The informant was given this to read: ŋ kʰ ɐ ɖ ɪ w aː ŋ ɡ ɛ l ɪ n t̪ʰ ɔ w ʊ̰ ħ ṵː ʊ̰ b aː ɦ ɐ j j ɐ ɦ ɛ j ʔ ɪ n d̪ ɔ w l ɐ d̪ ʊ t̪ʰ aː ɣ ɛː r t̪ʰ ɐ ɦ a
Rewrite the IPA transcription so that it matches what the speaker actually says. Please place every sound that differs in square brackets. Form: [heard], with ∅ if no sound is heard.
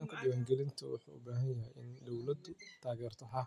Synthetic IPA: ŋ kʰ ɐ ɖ ɪ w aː ŋ ɡ ɛ l ɪ n t̪ʰ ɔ w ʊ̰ ħ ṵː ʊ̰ b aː ɦ ɐ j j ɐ ɦ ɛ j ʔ ɪ n d̪ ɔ w l ɐ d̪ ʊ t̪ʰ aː ɣ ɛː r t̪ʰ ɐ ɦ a